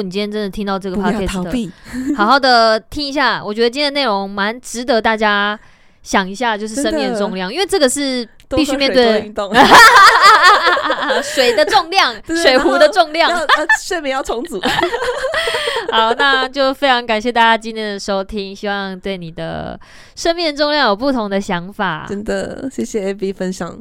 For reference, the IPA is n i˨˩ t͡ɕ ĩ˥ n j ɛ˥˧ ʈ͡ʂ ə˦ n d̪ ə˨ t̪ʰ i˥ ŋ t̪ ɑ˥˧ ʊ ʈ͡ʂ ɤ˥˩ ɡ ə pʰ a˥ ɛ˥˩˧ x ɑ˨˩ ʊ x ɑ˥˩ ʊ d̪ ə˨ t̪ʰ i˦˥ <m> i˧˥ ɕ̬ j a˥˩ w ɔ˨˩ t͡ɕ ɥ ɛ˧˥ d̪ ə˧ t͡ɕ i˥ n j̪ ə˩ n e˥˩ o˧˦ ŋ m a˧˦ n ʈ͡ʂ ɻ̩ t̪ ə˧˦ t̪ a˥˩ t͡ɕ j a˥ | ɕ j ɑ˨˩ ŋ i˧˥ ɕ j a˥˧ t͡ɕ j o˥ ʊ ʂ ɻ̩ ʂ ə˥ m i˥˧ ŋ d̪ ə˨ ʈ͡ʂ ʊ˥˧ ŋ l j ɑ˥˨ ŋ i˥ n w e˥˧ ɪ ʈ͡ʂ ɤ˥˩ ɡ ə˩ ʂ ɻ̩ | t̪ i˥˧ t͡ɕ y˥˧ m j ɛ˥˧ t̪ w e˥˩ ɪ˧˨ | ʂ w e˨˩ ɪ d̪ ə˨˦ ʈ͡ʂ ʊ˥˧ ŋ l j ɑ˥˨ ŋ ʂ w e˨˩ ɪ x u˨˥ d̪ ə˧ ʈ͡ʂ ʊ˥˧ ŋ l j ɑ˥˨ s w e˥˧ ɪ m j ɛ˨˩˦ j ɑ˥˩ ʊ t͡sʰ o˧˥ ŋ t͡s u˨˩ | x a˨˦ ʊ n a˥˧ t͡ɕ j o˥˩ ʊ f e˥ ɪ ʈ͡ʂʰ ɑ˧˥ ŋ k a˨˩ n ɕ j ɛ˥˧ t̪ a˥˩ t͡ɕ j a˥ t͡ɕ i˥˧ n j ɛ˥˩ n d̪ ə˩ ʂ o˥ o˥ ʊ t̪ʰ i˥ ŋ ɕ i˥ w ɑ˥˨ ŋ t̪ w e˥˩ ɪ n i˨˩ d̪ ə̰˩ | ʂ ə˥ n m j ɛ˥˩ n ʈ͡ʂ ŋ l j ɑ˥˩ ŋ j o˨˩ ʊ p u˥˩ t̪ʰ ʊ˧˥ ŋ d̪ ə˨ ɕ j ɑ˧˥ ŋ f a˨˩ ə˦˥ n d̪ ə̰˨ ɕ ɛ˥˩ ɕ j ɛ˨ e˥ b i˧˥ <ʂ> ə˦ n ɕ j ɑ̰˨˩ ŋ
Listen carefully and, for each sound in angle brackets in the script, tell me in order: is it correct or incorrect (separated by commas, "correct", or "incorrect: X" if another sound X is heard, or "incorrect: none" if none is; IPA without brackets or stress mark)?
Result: incorrect: ŋ, incorrect: f